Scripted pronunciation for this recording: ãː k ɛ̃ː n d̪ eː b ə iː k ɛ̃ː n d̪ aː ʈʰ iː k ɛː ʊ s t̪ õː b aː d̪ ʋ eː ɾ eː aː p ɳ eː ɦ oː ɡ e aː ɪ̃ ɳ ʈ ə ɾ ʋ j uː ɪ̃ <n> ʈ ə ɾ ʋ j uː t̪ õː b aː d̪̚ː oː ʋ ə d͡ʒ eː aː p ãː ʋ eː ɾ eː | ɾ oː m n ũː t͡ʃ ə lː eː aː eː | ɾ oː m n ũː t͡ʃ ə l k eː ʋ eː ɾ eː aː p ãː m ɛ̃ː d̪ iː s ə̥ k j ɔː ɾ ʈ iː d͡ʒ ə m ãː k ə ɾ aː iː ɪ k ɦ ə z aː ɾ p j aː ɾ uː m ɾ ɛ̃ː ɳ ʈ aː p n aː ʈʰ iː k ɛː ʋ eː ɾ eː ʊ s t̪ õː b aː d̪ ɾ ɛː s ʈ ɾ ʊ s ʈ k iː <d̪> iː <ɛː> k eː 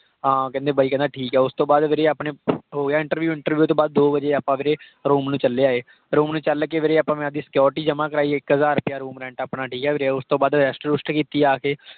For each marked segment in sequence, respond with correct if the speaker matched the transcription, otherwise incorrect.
incorrect: ɳ, incorrect: t̪, incorrect: aː

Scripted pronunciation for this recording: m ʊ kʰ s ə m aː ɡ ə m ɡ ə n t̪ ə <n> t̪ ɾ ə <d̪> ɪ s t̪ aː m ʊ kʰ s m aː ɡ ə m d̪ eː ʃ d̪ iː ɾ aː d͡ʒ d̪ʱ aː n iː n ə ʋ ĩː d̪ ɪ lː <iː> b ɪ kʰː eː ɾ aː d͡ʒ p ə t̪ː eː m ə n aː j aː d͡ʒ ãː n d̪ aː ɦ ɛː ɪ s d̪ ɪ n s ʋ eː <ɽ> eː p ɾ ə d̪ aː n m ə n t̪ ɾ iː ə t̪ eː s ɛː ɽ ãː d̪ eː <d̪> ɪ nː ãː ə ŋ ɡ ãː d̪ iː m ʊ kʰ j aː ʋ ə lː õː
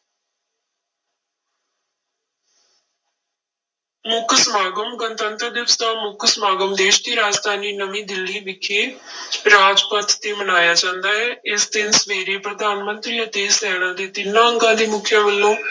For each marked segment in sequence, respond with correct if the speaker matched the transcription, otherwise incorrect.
correct, correct, correct, incorrect: ɾ, incorrect: t̪

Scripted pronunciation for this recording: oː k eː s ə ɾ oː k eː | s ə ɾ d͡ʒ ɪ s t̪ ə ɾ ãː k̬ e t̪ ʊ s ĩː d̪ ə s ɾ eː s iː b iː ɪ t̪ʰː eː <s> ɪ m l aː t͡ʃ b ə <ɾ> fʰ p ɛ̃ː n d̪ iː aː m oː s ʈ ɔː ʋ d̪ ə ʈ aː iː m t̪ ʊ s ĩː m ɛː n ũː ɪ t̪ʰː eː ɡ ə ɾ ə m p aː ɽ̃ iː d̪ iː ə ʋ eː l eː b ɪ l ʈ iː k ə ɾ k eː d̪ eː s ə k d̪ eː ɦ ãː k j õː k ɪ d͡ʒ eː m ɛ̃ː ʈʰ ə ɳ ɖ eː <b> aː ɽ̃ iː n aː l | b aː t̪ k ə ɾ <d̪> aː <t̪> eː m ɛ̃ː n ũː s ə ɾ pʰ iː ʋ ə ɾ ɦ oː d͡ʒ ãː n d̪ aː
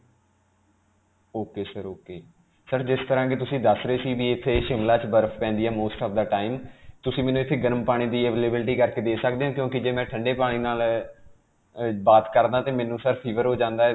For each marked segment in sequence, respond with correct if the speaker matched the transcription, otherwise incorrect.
incorrect: ʃ, correct, incorrect: p, correct, correct

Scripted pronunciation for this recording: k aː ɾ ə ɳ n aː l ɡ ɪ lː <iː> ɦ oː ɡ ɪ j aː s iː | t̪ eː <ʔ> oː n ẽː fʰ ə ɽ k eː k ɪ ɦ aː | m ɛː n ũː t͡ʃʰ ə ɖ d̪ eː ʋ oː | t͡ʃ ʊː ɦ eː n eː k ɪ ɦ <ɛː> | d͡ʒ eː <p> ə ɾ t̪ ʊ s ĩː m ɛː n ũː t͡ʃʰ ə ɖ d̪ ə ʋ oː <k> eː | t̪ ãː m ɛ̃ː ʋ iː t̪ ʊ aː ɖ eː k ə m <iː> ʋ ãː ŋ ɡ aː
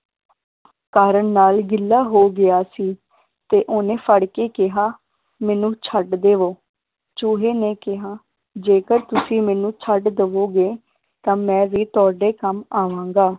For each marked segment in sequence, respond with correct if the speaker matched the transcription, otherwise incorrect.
incorrect: aː, correct, incorrect: aː, incorrect: k, incorrect: ɡ, incorrect: aː

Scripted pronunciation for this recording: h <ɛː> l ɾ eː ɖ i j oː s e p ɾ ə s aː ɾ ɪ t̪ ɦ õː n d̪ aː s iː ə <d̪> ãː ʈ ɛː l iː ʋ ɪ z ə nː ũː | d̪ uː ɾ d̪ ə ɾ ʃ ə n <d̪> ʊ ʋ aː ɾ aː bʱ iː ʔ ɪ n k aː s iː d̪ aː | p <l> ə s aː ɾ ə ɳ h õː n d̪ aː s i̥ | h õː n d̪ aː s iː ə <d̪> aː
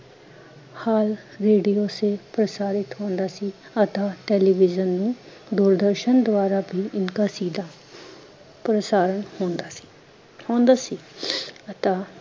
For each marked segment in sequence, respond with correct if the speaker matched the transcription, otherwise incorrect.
incorrect: aː, incorrect: t̪, correct, incorrect: ɾ, incorrect: t̪

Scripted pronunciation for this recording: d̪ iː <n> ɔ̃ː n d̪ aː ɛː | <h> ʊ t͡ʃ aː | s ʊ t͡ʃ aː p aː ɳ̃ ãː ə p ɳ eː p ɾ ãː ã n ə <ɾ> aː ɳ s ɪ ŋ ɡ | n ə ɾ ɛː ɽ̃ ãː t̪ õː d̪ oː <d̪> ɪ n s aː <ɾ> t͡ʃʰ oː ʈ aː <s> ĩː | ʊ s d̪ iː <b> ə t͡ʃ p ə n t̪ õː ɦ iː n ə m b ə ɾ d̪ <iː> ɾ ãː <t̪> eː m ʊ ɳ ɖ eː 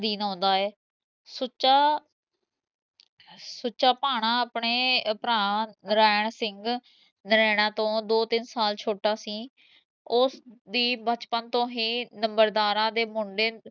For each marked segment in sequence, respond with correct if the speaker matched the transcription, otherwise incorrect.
correct, incorrect: s, correct, incorrect: t̪, incorrect: l, correct, correct, incorrect: aː, incorrect: d̪

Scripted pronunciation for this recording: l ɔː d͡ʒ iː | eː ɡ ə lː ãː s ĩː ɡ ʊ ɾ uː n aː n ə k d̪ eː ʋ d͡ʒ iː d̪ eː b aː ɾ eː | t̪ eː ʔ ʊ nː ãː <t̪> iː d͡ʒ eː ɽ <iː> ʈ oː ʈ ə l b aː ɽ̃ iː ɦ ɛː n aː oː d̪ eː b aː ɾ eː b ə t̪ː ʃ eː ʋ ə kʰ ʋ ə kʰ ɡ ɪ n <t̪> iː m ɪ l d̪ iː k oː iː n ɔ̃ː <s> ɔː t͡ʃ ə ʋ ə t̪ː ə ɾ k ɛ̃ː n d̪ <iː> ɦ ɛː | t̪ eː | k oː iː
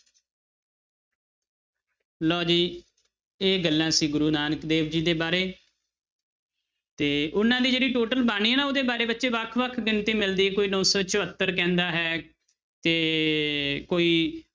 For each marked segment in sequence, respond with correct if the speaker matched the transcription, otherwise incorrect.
incorrect: d̪, correct, correct, correct, incorrect: aː

